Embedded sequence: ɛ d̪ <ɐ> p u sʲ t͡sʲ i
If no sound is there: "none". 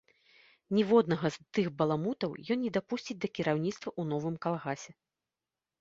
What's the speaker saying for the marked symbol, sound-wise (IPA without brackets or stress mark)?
a